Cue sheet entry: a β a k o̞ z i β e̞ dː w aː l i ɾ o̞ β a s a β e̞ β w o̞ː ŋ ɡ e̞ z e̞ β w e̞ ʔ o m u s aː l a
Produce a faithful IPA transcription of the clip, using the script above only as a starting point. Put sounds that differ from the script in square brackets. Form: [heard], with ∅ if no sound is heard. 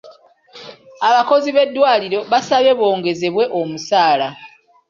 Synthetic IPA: a β a k o̞ z i β e̞ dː w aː l i ɾ o̞ β a s a β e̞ β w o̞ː ŋ ɡ e̞ z e̞ β w e̞ ʔ o m u s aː l a